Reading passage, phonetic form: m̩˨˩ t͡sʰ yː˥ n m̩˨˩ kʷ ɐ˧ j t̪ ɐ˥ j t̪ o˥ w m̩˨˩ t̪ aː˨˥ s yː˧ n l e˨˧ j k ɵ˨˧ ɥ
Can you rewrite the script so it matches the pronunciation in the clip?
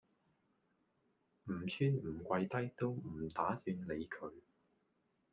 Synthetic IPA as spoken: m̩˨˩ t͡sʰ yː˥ n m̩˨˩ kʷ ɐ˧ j t̪ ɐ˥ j t̪ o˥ w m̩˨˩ t̪ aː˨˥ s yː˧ n l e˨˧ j kʰ ɵ˨˧ ɥ